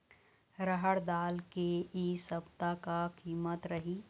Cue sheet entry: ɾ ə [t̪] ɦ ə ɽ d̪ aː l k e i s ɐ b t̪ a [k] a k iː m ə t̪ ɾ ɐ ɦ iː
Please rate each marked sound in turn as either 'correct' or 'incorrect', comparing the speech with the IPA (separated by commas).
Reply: incorrect, correct